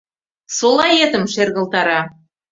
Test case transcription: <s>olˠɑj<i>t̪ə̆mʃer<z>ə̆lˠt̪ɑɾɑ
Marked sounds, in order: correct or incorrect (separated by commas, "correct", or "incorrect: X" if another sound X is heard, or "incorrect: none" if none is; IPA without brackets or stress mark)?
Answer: correct, incorrect: e, incorrect: ɣ